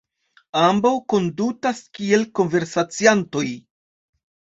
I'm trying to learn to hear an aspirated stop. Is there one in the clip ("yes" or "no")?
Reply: no